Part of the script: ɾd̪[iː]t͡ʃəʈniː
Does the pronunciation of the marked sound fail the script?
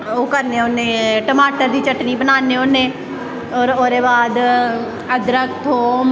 no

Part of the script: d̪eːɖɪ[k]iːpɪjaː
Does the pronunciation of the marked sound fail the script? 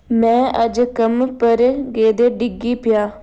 yes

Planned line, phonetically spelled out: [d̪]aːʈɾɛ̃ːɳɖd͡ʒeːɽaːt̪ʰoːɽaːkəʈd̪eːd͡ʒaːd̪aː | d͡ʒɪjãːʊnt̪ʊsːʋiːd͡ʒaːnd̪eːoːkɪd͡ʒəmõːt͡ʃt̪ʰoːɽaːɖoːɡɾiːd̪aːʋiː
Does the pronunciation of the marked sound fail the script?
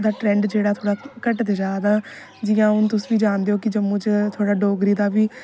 no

